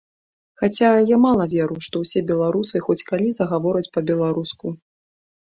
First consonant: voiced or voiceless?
voiceless